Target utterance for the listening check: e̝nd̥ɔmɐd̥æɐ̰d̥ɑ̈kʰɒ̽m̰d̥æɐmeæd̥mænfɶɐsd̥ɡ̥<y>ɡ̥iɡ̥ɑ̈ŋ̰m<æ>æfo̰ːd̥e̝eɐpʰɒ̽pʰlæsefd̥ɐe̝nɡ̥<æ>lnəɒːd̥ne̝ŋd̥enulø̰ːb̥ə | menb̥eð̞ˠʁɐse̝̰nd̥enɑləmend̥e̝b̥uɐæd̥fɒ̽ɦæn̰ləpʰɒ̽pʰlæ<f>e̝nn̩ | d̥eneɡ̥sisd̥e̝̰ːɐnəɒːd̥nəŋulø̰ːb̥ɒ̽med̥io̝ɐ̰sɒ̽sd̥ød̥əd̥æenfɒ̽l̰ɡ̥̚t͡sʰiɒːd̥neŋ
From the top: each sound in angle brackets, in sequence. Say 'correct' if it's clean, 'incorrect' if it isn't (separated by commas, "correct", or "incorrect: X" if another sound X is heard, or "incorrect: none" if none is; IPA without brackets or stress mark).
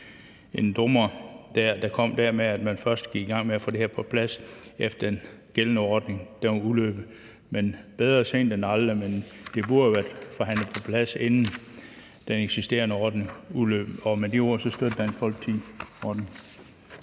incorrect: i, incorrect: e, incorrect: e, incorrect: s